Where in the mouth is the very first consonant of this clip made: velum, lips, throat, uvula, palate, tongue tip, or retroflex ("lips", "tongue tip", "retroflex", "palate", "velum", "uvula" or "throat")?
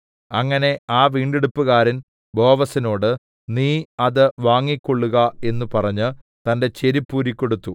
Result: velum